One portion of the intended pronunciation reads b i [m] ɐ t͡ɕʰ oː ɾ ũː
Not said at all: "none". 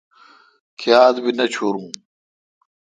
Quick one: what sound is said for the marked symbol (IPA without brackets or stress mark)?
n